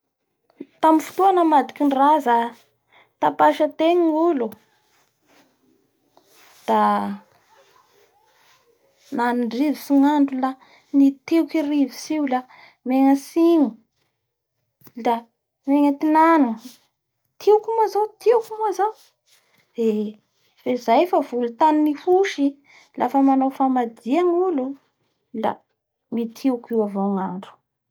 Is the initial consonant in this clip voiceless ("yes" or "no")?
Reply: yes